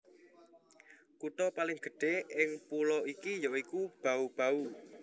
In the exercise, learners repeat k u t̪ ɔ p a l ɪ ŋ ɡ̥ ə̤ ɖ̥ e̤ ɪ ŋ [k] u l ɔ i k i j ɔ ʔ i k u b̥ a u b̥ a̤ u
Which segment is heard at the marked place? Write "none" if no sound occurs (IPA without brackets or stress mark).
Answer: p